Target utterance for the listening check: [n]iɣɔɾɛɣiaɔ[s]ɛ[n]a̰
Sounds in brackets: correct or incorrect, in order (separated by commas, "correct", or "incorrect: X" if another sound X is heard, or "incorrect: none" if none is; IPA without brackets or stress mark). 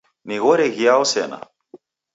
correct, correct, correct